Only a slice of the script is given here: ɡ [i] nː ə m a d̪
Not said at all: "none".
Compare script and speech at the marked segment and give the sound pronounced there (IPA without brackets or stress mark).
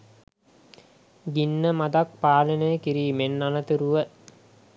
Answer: i